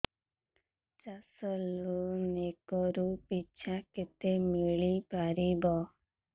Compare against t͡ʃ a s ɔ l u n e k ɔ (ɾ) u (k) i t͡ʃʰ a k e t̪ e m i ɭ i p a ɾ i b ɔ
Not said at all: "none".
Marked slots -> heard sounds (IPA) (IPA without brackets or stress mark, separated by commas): ɾ, p